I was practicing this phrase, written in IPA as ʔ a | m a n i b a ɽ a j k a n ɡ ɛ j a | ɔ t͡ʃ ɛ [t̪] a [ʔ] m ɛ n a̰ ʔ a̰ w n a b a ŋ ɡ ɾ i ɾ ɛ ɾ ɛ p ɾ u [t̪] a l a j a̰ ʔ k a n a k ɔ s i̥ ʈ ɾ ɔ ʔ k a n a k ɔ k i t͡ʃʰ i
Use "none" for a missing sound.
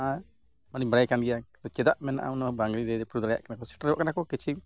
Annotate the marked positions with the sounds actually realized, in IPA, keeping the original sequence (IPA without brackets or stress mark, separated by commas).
d̪, ʔ, d̪